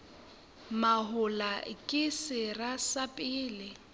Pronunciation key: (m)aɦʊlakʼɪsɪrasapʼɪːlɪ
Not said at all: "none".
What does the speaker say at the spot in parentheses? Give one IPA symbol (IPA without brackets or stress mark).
m